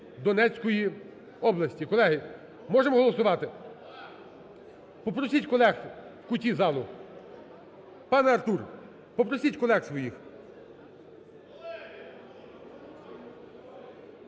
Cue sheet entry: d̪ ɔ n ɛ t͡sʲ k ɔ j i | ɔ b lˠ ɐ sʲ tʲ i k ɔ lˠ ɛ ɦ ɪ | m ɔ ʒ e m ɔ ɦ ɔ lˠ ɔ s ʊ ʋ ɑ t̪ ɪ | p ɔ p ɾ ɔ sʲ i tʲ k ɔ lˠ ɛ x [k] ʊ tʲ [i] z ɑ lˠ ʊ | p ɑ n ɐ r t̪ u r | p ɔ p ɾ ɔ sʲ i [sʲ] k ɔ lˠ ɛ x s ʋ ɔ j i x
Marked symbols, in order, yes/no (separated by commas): yes, yes, no